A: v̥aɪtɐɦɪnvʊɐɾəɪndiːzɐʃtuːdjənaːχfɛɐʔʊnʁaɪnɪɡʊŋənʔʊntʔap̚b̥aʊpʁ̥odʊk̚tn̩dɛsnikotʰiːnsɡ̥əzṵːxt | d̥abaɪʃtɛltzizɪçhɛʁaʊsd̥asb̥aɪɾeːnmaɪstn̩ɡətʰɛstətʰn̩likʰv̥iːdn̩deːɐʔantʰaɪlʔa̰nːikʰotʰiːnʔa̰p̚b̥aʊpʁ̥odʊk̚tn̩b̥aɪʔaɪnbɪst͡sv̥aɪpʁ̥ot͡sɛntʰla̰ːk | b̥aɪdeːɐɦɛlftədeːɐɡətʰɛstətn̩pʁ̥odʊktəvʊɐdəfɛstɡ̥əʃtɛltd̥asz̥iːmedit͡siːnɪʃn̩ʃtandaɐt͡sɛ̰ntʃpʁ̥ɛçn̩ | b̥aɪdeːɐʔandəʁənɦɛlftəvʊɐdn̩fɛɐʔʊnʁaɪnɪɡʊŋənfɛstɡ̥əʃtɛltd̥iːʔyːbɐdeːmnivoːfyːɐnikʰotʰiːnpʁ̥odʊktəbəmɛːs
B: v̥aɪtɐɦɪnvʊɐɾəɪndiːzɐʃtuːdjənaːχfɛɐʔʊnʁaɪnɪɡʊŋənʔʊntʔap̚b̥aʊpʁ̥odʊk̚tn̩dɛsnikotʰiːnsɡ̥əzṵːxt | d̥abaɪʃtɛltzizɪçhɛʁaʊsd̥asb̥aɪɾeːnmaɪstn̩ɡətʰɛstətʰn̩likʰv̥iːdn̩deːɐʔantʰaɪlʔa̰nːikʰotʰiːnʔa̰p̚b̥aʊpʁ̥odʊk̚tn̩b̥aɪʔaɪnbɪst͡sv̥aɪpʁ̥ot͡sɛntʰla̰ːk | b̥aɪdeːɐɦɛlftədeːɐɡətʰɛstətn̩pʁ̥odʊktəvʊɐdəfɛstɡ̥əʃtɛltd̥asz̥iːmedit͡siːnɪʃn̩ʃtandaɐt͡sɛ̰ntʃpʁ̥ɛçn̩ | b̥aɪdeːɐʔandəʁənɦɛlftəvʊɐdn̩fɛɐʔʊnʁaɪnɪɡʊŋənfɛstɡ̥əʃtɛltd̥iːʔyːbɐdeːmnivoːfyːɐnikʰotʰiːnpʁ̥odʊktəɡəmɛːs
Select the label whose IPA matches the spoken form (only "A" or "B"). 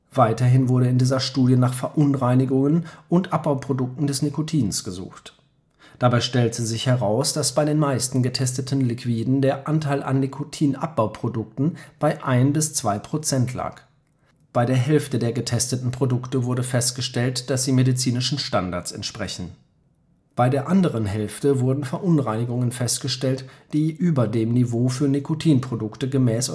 B